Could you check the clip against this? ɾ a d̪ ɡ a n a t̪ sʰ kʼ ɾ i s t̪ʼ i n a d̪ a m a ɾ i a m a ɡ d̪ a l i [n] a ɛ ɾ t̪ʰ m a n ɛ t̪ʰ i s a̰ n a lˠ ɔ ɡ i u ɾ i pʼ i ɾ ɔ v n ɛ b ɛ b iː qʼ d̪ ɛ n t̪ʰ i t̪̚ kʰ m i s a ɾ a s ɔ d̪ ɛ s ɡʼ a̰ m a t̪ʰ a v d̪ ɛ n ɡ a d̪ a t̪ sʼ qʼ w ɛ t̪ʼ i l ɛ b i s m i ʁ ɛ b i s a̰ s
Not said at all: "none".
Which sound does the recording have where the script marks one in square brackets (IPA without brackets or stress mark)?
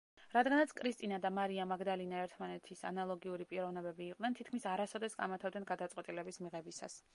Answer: n